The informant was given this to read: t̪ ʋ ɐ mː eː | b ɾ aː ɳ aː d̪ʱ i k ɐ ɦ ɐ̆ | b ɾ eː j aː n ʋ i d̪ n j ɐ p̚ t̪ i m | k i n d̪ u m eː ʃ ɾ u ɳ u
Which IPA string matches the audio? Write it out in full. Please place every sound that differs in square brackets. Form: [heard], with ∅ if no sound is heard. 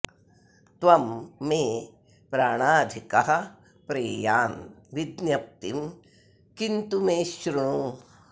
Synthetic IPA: t̪ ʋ ɐ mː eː | [p] ɾ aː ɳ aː d̪ʱ i k ɐ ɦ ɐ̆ | [p] ɾ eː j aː n ʋ i d̪ n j ɐ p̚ t̪ i m | k i n [t̪] u m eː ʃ ɾ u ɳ u

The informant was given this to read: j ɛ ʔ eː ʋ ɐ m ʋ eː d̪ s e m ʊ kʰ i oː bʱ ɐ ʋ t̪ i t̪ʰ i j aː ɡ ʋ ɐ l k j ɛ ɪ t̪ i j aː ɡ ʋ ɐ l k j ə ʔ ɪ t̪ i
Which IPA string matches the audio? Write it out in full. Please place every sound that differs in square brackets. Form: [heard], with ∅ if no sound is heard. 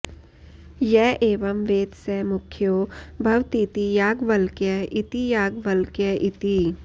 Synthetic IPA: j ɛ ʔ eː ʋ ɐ m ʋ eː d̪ s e m ʊ kʰ [j] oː bʱ ɐ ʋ t̪ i [t̪] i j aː ɡ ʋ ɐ l k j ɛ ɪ t̪ i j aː ɡ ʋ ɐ l k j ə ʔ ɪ t̪ i

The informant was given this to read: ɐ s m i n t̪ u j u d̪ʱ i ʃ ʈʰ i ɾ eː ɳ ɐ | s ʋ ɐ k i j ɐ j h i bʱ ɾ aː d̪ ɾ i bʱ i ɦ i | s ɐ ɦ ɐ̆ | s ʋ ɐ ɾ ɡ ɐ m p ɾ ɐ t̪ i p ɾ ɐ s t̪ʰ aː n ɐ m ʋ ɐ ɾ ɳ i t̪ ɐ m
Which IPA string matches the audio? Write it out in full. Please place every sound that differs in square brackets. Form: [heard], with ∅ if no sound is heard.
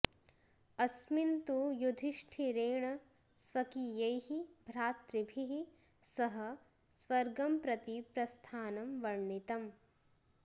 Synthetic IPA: ɐ s m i n t̪ u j u d̪ʱ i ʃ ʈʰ i ɾ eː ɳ ɐ | s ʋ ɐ k i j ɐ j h i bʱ ɾ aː [t̪] ɾ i bʱ i ɦ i | s ɐ ɦ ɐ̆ | s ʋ ɐ ɾ ɡ ɐ m p ɾ ɐ t̪ i p ɾ ɐ s t̪ʰ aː n ɐ m ʋ ɐ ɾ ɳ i t̪ ɐ m

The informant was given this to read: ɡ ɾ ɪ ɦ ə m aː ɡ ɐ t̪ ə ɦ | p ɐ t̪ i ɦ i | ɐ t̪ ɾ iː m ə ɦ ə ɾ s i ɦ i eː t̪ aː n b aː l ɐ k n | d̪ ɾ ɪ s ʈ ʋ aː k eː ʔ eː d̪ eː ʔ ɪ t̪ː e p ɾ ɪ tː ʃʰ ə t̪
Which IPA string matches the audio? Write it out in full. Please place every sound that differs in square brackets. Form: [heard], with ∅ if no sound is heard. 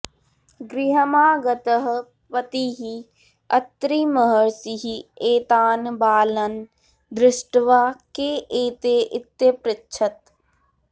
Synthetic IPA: ɡ ɾ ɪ ɦ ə m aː ɡ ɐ t̪ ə ɦ | p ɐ t̪ i ɦ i | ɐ t̪ ɾ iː m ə ɦ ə ɾ s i ɦ i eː t̪ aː n b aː l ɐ [∅] n | d̪ ɾ ɪ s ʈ ʋ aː k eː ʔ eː [t̪] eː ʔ ɪ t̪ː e p ɾ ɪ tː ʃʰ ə t̪

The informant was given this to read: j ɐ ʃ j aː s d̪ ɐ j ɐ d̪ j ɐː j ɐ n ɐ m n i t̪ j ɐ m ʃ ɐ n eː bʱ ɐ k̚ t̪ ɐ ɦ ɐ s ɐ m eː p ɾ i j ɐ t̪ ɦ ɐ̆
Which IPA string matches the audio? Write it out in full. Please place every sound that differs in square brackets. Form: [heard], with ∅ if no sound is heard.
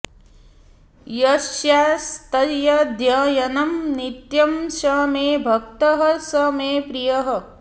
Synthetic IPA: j ɐ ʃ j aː s [t̪] ɐ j ɐ d̪ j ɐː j ɐ n ɐ m n i t̪ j ɐ m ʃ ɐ [m] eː bʱ ɐ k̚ t̪ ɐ ɦ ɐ s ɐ m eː p ɾ i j ɐ [∅] ɦ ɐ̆

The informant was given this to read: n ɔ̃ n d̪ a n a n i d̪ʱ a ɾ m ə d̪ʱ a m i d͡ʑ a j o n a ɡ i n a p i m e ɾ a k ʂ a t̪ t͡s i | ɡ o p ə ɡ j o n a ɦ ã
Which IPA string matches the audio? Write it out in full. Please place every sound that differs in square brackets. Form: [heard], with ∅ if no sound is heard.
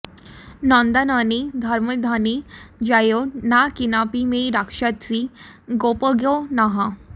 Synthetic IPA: n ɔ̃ n d̪ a n a n i d̪ʱ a ɾ m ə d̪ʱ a [n] i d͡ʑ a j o n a [k] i n a p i m e ɾ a k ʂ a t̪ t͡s i | ɡ o p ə ɡ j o n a ɦ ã

